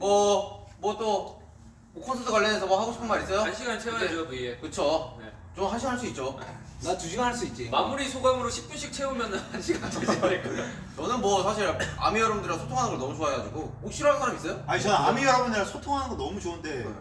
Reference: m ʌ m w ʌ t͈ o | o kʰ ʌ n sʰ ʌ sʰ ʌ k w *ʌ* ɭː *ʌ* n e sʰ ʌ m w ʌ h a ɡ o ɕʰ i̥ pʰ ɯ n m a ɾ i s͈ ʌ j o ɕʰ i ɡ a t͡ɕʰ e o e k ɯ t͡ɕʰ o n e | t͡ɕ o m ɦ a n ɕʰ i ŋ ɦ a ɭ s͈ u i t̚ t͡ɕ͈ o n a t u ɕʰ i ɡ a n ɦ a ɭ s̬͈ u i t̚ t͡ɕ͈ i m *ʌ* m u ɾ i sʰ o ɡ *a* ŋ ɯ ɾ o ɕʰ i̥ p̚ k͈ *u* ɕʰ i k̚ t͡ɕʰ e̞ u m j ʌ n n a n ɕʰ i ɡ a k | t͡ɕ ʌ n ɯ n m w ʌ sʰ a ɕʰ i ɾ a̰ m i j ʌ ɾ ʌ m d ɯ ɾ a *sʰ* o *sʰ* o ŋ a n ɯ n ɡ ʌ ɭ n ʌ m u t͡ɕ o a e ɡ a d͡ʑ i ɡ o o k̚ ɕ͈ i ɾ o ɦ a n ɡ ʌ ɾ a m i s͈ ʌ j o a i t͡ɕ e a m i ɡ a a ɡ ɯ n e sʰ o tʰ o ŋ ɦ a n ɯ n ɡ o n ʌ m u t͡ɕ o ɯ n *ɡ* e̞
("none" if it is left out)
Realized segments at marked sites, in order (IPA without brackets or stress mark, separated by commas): a, ʌ, a, a, u, sʰ, tʰ, d